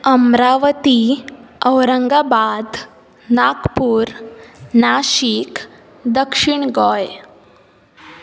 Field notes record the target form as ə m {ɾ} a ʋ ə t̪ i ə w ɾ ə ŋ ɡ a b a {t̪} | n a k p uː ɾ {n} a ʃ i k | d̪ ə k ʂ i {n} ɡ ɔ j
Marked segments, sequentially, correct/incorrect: correct, incorrect, correct, incorrect

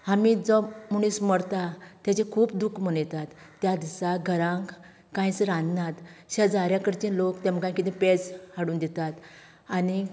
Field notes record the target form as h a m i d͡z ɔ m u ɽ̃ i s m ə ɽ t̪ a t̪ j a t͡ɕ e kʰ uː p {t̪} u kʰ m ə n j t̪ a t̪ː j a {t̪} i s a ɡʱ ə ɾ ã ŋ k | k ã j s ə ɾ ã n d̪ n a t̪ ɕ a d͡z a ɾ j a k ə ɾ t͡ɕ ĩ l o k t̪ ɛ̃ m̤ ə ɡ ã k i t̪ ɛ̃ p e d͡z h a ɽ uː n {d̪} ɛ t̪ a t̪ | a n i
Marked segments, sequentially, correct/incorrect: incorrect, incorrect, correct

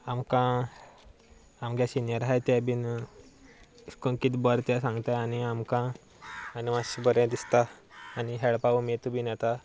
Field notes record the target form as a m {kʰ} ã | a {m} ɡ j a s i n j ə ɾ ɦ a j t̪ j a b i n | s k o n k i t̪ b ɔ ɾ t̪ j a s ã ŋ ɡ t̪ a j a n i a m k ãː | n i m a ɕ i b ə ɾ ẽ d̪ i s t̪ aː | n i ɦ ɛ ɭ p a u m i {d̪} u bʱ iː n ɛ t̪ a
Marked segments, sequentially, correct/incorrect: incorrect, correct, incorrect

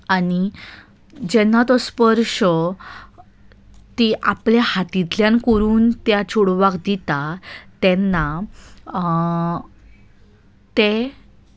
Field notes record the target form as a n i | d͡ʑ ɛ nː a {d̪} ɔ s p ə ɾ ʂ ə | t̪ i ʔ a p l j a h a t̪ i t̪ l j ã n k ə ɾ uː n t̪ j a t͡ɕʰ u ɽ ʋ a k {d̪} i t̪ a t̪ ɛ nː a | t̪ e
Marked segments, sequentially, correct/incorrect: incorrect, correct

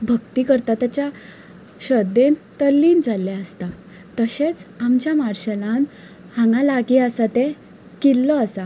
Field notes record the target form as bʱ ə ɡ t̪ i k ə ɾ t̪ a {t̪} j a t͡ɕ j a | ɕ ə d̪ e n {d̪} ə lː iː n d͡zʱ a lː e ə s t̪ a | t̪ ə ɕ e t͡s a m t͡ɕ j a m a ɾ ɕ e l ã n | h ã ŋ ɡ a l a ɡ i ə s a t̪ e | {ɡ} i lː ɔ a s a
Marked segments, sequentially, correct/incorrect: correct, incorrect, incorrect

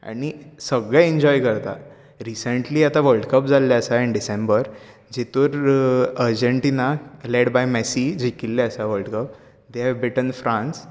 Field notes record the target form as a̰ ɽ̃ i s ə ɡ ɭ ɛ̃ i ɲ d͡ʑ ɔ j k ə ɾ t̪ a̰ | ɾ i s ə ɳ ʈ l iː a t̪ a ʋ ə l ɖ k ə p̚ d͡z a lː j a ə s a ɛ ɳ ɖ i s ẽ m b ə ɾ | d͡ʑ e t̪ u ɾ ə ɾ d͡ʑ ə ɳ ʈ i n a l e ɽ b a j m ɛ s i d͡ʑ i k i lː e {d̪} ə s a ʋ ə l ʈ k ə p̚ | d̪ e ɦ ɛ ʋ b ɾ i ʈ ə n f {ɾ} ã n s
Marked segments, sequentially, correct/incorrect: incorrect, correct

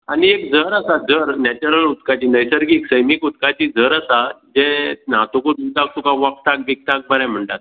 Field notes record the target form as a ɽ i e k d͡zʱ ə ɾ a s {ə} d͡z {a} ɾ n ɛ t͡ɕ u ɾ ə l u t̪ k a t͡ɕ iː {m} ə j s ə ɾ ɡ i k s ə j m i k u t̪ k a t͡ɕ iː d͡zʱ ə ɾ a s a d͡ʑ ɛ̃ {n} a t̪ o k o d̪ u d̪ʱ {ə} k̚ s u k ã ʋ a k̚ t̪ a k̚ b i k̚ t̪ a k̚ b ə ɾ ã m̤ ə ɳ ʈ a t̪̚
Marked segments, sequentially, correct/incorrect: incorrect, incorrect, incorrect, correct, incorrect

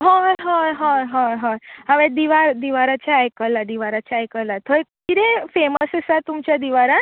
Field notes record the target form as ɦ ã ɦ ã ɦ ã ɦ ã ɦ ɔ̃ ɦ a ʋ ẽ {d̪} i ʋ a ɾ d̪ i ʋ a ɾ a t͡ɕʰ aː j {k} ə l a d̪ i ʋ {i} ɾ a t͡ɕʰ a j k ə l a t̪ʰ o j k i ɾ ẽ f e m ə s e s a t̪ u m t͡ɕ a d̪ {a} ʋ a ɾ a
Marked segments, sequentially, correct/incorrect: correct, correct, incorrect, incorrect

